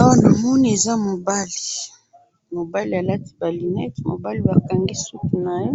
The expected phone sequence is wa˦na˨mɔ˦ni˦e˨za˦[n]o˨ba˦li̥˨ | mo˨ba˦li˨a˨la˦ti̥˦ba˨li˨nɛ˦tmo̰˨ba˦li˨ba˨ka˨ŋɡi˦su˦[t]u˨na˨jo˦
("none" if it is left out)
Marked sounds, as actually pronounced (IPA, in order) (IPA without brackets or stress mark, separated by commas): m, k